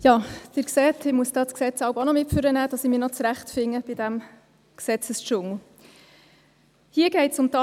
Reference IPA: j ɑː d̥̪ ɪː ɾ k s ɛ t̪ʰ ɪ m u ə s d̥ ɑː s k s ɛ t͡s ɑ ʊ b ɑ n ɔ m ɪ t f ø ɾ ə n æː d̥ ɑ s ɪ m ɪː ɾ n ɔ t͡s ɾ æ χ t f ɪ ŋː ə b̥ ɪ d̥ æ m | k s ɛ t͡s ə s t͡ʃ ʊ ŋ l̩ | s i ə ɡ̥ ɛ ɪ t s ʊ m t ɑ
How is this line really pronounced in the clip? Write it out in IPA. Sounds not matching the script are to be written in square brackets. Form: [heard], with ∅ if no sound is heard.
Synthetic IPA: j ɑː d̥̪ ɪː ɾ k s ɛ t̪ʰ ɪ m u ə s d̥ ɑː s k s ɛ t͡s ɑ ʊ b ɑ n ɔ m ɪ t f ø ɾ ə n æː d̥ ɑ s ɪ m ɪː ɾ n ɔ t͡s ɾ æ χ t f ɪ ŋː ə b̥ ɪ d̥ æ m | k s ɛ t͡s ə s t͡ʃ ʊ ŋ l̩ | [h] i ə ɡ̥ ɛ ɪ t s ʊ m t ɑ